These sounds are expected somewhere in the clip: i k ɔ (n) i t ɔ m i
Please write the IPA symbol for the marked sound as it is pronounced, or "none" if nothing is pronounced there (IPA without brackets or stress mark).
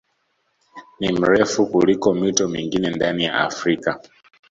m